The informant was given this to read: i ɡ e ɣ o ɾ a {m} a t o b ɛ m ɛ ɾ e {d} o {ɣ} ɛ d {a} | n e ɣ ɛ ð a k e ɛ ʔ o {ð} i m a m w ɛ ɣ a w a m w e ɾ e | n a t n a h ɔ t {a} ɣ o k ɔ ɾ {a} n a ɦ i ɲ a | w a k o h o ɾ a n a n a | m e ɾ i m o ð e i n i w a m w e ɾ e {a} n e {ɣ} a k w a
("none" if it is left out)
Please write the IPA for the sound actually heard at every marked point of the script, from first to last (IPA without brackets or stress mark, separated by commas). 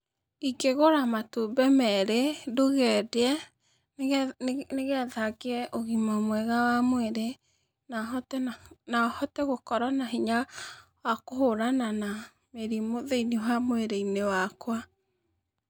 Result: m, d, ɣ, ɛ, ɣ, ɛ, a, i, w